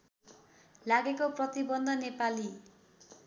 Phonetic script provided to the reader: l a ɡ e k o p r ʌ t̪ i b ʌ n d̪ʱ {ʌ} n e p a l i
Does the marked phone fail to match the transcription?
no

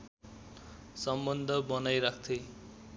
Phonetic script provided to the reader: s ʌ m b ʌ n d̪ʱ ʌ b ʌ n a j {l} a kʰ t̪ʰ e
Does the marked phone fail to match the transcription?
yes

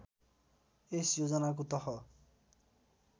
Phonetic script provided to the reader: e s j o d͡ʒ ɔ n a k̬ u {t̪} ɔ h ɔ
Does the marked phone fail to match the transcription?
no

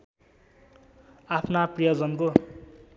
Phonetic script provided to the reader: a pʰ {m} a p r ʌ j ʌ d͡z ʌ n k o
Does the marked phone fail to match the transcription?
yes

